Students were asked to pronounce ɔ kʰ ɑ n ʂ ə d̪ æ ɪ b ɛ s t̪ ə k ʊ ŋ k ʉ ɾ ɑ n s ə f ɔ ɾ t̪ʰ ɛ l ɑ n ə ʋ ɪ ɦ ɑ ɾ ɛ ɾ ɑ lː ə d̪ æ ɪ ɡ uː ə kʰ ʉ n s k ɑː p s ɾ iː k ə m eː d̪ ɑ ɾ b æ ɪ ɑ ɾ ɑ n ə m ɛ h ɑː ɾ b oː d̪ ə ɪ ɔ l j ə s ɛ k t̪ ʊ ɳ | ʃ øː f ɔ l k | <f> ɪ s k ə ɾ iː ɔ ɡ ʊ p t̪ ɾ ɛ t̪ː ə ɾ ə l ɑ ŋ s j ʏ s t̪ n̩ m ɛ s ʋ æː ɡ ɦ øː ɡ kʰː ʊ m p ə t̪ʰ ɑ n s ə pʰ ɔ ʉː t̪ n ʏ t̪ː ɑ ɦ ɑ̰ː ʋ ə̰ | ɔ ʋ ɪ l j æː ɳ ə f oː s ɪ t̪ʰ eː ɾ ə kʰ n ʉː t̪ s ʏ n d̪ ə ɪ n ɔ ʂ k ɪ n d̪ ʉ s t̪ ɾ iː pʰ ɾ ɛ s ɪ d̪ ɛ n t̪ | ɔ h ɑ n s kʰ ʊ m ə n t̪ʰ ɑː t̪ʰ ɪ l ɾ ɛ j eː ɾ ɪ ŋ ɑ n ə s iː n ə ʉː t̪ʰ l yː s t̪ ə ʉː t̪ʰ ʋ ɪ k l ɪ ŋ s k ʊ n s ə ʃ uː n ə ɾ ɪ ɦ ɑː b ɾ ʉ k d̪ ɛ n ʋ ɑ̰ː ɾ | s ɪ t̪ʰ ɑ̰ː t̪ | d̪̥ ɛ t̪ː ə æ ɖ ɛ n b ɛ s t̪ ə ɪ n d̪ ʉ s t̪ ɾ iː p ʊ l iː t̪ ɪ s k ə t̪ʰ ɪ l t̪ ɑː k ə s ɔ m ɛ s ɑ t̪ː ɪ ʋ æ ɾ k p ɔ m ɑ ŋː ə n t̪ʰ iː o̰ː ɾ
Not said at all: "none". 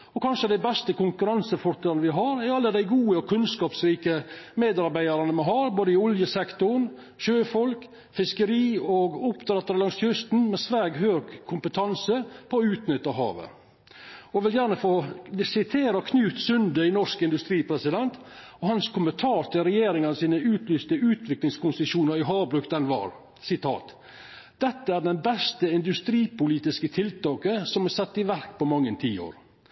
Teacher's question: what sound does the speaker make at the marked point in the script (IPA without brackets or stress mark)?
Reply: f